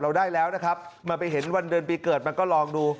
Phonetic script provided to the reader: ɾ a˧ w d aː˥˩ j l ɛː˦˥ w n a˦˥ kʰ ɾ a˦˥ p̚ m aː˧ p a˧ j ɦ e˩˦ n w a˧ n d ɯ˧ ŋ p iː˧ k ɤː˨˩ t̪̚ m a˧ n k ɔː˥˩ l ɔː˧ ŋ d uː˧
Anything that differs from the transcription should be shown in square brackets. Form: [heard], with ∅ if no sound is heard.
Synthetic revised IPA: ɾ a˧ w d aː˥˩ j l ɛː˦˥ w n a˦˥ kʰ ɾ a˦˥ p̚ m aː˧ p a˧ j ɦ e˩˦ n w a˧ n d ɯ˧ [n] p iː˧ k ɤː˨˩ t̪̚ m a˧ n k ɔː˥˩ l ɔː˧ ŋ d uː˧